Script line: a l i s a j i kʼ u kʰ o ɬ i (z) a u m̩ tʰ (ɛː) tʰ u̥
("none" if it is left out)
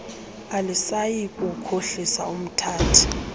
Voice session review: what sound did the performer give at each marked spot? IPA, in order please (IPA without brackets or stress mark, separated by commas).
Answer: s, aː